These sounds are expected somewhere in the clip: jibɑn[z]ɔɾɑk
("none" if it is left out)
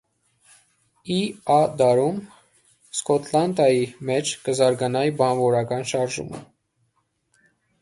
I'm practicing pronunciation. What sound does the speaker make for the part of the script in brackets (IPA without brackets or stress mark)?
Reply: v